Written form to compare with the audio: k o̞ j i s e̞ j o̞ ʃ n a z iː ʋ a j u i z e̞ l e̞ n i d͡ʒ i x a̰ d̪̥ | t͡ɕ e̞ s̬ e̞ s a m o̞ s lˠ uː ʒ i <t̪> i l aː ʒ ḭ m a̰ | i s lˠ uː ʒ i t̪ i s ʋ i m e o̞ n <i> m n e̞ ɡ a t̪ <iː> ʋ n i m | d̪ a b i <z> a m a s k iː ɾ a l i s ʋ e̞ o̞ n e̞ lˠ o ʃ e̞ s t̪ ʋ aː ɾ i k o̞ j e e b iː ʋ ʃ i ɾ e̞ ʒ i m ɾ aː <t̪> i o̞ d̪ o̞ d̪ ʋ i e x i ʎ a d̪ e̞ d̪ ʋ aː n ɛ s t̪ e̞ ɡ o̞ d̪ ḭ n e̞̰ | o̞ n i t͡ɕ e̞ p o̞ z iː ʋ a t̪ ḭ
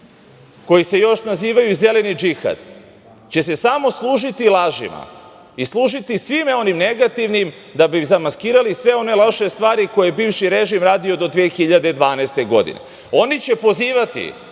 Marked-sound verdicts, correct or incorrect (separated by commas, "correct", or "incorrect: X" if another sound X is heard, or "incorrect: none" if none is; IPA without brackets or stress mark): correct, correct, incorrect: i, correct, incorrect: d̪